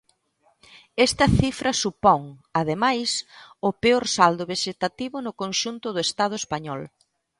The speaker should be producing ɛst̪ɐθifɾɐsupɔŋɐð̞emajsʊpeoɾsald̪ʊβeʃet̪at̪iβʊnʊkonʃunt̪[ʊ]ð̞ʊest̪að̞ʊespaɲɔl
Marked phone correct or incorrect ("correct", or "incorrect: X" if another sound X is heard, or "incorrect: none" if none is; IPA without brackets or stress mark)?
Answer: correct